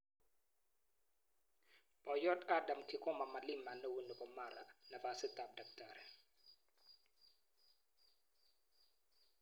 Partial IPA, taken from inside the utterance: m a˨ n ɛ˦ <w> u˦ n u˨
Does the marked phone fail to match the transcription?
no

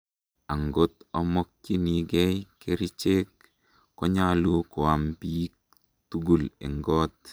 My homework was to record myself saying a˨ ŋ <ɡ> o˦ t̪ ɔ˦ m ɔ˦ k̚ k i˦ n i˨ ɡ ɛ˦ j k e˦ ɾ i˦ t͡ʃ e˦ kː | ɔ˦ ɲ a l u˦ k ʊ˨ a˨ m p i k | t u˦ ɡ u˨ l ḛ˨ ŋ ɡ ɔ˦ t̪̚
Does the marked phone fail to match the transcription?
no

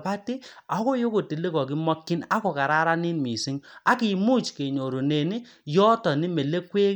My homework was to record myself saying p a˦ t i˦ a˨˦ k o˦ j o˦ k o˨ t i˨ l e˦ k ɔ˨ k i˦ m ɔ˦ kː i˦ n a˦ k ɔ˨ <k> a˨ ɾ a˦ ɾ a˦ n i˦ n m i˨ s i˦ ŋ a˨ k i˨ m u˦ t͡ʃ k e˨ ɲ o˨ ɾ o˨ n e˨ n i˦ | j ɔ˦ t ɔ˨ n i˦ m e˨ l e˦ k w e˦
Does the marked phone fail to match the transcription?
no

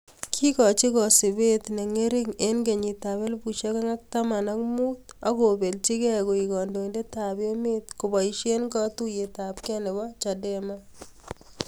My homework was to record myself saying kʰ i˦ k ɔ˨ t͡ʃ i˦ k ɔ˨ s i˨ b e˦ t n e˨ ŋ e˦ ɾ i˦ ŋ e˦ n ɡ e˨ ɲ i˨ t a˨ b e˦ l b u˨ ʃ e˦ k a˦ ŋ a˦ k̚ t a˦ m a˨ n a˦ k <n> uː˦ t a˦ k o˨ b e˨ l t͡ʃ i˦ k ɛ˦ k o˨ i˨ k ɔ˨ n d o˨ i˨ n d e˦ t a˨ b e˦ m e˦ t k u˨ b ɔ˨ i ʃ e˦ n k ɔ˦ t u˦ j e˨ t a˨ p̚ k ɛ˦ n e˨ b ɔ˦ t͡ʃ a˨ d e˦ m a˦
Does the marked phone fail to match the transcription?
yes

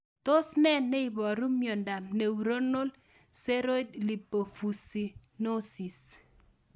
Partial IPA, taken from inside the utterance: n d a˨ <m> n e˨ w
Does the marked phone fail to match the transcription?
no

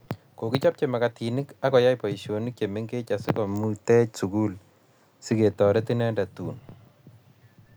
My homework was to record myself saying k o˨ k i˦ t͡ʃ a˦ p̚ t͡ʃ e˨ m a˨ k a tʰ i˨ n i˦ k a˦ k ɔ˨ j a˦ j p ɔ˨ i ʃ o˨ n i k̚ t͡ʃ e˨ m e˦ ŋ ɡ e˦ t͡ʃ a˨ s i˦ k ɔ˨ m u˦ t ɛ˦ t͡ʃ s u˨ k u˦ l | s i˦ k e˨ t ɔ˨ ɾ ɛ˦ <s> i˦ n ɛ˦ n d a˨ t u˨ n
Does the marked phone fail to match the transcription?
yes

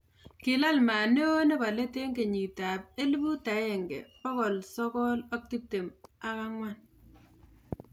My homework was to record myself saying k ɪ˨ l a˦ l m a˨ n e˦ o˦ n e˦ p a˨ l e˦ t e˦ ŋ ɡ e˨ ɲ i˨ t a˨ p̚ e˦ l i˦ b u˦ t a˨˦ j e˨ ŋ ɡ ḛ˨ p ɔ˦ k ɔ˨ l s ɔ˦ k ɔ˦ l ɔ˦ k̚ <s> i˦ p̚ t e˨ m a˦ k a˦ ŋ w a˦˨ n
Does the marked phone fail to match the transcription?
yes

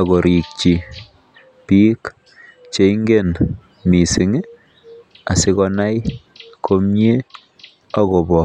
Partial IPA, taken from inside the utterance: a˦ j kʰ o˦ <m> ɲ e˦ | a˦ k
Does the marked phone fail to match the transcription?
no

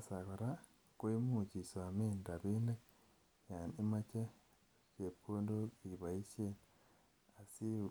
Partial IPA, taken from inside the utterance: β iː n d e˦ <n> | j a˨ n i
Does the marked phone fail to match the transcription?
yes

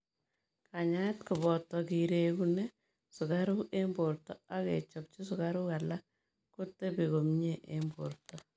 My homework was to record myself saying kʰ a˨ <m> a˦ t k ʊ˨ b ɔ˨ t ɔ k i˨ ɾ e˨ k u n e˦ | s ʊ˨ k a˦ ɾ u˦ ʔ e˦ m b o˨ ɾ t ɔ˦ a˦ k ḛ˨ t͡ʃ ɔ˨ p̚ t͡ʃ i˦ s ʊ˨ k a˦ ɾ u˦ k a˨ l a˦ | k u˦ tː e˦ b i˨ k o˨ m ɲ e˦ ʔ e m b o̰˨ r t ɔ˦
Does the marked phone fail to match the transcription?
yes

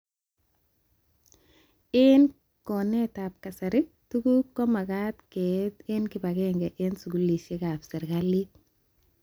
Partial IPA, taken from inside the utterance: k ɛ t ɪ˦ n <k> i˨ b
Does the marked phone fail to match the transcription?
no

